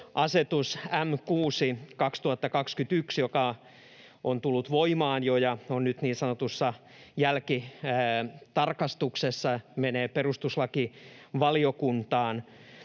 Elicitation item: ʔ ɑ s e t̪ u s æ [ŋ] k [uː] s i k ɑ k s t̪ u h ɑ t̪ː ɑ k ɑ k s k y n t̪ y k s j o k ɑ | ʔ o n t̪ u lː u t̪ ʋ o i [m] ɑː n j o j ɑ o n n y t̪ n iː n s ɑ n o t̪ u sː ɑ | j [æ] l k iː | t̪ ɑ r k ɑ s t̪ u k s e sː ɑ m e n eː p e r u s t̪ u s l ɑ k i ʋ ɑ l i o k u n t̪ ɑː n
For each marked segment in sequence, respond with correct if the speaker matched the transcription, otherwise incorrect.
incorrect: m, correct, correct, correct

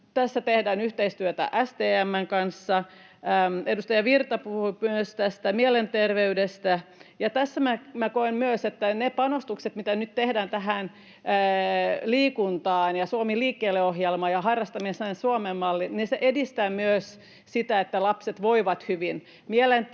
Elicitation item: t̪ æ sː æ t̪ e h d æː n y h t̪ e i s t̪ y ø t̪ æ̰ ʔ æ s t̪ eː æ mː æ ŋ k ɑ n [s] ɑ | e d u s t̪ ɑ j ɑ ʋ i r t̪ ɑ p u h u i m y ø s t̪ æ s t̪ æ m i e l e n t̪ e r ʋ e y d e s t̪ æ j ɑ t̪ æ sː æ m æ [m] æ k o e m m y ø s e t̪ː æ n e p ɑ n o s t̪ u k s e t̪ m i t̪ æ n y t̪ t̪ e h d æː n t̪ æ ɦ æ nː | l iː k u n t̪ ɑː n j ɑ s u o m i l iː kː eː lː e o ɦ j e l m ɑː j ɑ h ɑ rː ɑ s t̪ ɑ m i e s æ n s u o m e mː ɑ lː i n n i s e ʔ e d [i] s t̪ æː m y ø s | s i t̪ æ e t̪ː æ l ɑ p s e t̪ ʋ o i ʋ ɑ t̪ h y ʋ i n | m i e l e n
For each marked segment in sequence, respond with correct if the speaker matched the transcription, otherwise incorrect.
incorrect: sː, correct, correct

